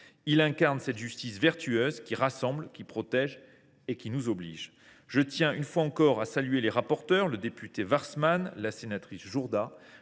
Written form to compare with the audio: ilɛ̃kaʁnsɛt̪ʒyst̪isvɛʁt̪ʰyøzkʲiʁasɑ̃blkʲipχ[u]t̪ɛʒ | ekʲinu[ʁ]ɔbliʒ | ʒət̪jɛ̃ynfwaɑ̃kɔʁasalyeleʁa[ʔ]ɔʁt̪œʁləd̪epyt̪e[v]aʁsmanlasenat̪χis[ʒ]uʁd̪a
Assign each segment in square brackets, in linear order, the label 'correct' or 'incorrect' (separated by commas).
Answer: incorrect, incorrect, incorrect, correct, correct